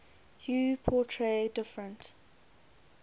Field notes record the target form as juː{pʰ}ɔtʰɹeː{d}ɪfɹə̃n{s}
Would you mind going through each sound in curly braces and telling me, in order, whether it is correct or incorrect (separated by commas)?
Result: correct, correct, incorrect